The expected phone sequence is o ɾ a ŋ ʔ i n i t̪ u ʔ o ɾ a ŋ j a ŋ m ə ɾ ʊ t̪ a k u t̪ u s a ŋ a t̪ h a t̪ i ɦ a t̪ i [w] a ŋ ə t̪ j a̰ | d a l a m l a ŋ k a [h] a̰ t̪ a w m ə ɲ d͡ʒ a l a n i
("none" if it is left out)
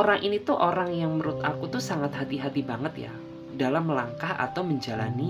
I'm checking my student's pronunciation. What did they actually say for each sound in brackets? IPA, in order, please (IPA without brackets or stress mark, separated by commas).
b, h